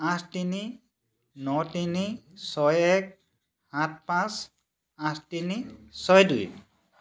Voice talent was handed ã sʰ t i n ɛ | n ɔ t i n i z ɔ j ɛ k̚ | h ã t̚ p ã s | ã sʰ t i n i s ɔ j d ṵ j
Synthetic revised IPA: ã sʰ t i n i | n ɔ t i n i s ɔ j ɛ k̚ | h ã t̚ p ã s | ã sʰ t i n i s ɔ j d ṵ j